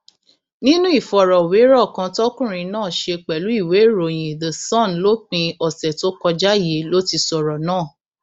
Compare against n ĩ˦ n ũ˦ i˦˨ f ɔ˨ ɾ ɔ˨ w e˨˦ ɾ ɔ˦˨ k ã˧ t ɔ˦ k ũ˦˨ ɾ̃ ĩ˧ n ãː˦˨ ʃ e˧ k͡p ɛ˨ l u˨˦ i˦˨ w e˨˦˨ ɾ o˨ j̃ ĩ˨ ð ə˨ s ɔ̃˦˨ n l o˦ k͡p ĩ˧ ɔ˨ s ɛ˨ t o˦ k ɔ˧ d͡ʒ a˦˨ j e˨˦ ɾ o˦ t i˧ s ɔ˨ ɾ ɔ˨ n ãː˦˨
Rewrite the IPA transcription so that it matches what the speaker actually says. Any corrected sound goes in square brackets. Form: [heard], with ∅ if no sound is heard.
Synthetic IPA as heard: n ĩ˦ n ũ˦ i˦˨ f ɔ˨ ɾ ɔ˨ w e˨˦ ɾ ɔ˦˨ k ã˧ t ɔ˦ k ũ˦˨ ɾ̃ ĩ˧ n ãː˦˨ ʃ e˧ k͡p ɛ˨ l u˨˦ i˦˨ w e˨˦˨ ɾ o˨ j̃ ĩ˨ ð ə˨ s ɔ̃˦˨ n l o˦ k͡p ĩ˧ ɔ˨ s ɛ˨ t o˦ k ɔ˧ d͡ʒ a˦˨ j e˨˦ [l] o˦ t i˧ s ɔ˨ ɾ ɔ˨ n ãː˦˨